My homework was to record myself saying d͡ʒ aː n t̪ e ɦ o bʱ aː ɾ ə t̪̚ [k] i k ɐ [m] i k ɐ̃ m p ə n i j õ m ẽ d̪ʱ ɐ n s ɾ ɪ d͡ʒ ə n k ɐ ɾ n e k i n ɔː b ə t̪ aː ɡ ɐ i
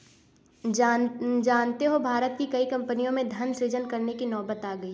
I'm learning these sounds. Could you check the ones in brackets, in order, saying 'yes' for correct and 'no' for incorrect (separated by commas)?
yes, no